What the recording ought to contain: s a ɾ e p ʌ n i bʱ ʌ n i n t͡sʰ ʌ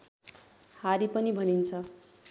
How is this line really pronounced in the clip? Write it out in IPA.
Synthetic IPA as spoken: h a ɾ i p ʌ n i bʱ ʌ n i n t͡sʰ ʌ